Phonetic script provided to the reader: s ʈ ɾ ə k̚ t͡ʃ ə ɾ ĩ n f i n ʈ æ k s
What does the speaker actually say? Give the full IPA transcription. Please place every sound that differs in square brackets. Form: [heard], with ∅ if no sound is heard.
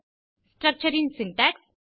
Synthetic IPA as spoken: s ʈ ɾ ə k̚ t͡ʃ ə ɾ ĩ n [s] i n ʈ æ k s